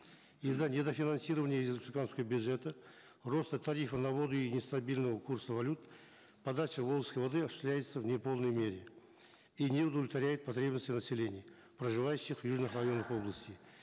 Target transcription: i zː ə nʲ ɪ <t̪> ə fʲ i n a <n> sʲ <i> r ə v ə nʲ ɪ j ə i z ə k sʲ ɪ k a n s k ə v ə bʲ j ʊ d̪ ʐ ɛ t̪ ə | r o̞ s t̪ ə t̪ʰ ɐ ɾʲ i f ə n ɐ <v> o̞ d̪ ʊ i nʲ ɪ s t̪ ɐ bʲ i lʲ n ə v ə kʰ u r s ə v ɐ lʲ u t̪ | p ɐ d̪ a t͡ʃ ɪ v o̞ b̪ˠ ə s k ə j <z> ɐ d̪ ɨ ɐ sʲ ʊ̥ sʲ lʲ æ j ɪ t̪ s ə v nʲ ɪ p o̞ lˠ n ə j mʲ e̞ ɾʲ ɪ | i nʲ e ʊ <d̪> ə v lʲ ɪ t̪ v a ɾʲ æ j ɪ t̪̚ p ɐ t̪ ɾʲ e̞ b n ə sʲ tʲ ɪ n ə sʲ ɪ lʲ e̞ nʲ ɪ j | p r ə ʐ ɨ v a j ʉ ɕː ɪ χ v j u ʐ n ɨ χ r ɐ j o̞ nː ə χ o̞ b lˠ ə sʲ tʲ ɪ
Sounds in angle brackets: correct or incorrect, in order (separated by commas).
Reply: incorrect, correct, correct, correct, incorrect, correct